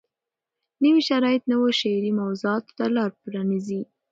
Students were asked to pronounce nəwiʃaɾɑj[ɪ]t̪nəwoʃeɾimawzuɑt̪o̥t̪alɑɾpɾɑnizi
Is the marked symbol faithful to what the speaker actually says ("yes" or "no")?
yes